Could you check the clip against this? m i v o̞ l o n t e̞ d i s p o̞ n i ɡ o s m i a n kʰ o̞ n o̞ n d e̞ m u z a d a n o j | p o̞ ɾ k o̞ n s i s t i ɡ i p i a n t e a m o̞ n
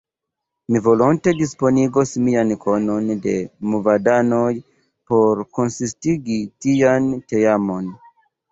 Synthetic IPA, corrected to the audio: m i v o̞ l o n t e̞ d i s p o̞ n i ɡ o s m i a n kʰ o̞ n o̞ n d e̞ m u v a d a n o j | p o̞ ɾ k o̞ n s i s t i ɡ i t i a n t e a m o̞ n